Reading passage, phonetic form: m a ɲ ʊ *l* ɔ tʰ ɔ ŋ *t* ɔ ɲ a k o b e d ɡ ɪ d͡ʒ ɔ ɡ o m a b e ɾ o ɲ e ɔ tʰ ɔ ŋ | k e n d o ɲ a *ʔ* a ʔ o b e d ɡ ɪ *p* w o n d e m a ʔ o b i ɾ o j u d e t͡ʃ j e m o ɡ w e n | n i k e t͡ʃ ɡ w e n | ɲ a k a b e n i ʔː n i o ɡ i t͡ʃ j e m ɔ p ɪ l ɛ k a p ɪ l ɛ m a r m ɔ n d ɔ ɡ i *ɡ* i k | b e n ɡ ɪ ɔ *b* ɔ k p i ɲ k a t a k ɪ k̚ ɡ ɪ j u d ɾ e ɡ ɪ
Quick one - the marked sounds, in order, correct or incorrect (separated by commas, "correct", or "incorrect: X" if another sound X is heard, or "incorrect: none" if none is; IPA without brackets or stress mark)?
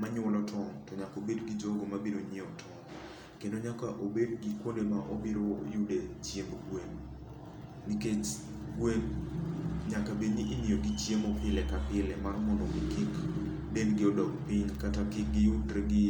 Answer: correct, correct, incorrect: k, incorrect: k, incorrect: k, incorrect: d